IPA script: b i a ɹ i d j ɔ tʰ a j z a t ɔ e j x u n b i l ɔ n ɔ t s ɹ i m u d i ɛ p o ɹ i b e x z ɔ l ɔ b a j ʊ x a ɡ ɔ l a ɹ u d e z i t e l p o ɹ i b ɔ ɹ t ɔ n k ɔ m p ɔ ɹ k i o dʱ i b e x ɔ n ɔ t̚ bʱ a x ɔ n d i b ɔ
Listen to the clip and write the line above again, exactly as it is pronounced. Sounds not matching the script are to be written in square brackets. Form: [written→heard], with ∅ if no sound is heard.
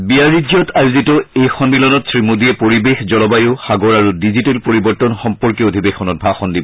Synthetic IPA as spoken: b i a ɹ i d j ɔ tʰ a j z [a→i] t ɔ e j x [u→ɔ] n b i l ɔ n ɔ t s ɹ i m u d i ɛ p o ɹ i b e x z ɔ l ɔ b a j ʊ x a ɡ ɔ [l→ɹ] a ɹ u d [e→i] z i t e l p o ɹ i b ɔ ɹ t ɔ n [k→x] ɔ m p ɔ ɹ k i o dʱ i b e x ɔ n ɔ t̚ bʱ a x ɔ n d i b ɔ